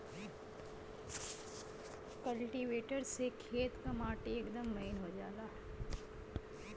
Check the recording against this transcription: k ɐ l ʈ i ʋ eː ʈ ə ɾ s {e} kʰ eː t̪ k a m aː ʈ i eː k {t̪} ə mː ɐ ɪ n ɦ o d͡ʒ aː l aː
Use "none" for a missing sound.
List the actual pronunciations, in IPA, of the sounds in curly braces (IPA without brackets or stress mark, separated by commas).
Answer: e, d̪